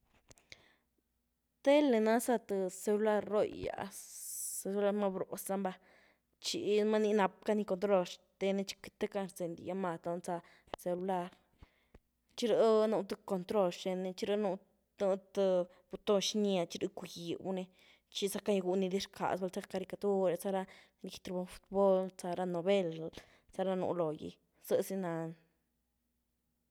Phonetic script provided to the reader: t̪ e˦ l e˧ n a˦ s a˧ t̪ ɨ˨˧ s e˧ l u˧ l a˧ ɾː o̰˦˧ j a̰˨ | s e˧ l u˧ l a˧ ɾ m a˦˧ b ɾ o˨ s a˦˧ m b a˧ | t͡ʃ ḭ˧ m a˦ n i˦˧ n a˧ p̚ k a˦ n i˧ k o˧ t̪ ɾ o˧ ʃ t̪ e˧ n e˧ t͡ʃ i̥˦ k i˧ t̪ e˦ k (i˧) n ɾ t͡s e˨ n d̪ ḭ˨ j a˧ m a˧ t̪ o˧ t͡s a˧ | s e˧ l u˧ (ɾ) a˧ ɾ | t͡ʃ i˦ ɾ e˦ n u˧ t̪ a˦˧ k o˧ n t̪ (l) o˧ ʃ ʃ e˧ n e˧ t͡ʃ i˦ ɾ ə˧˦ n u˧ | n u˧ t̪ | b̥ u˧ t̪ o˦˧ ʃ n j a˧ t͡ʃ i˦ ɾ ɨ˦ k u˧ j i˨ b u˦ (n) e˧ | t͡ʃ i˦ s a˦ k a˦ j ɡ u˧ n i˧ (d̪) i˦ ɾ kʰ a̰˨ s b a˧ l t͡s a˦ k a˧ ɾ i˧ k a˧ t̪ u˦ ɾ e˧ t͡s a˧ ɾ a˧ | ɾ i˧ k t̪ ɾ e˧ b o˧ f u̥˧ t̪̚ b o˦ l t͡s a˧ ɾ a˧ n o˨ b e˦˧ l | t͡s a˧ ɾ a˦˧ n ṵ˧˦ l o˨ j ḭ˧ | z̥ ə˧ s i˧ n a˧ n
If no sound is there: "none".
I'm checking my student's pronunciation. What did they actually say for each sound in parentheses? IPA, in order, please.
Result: a˧, l, ɾ, n, d̪

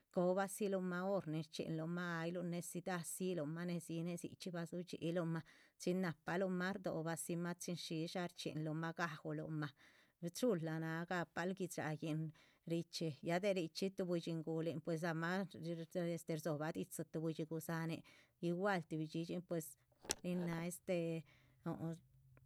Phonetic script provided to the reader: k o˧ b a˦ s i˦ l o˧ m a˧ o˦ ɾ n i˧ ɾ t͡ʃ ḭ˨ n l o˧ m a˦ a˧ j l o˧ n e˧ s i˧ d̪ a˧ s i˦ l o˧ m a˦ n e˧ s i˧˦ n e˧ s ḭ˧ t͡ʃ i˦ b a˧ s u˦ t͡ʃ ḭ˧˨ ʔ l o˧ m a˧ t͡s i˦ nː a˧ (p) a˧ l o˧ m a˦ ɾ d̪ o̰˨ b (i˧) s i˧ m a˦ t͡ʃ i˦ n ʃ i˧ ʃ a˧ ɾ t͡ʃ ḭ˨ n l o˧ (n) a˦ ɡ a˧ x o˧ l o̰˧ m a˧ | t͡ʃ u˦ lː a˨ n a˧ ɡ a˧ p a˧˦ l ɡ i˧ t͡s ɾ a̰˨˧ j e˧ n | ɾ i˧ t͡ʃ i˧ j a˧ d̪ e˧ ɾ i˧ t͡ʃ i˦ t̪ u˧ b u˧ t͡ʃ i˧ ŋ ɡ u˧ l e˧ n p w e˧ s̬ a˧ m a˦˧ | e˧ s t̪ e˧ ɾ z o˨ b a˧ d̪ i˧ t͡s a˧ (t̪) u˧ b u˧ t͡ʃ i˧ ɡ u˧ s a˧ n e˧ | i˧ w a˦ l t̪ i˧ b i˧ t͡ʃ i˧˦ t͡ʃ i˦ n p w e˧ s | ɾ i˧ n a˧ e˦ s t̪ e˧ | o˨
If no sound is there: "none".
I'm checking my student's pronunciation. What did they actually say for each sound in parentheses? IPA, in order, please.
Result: p, a˧, m, t̪

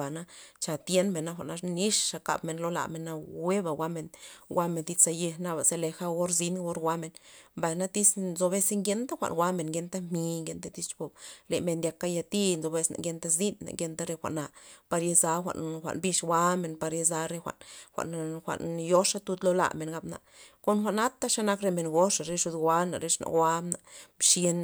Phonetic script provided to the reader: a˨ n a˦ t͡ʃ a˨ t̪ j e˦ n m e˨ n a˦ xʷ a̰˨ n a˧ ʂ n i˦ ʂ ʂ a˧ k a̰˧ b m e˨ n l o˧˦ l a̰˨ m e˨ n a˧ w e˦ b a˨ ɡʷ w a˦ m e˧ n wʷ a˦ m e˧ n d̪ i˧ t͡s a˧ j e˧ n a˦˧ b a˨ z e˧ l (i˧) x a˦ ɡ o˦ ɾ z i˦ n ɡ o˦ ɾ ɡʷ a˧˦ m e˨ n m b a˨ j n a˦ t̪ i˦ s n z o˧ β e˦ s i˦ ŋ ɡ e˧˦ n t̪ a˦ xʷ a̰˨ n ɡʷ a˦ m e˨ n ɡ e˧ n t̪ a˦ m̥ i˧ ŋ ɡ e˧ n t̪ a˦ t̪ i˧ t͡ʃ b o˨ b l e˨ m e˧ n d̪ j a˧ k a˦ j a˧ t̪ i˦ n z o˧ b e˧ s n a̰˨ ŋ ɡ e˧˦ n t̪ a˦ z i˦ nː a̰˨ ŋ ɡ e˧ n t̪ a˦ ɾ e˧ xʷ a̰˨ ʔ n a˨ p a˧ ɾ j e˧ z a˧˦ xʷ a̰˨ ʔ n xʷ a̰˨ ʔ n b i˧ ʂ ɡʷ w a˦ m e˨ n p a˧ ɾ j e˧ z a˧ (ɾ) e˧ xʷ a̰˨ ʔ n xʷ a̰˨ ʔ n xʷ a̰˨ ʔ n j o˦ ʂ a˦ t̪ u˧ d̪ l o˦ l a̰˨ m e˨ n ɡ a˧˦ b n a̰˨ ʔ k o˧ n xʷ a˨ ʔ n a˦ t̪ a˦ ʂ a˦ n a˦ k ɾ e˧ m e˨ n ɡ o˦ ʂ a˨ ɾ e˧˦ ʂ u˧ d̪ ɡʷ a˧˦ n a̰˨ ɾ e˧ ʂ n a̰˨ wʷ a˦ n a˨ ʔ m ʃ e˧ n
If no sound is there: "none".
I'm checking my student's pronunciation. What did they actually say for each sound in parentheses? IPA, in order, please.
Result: e˧, ɾ

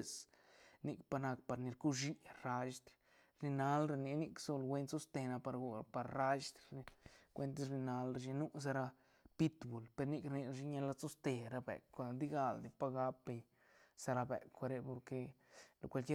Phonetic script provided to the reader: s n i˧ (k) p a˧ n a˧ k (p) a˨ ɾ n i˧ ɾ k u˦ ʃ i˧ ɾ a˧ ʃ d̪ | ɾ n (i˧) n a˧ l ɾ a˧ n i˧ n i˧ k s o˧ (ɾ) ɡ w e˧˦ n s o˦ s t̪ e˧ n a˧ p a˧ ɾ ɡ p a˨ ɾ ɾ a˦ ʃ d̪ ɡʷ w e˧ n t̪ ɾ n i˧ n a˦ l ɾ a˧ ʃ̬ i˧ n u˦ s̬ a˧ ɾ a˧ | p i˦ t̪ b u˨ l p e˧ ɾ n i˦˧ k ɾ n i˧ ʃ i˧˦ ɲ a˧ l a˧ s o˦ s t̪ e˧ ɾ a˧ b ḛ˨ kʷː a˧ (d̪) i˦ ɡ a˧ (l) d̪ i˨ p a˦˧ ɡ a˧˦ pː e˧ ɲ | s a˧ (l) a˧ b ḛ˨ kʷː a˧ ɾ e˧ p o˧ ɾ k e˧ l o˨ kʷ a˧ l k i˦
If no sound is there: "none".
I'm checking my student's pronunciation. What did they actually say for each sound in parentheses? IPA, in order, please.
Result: k, p, i˧, l, d̪, l, ɾ

